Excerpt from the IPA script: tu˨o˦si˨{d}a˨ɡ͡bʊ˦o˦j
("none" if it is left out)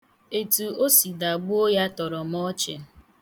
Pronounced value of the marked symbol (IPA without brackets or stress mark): d